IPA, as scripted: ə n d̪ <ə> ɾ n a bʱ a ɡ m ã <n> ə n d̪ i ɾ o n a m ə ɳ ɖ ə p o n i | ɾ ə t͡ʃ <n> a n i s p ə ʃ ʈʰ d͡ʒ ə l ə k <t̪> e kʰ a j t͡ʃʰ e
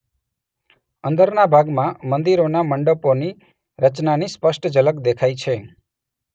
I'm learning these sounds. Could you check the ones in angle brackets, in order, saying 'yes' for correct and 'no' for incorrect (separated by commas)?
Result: yes, no, yes, no